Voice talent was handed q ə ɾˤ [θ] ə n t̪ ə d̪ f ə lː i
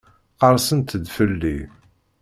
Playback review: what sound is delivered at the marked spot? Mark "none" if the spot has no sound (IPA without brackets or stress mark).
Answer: s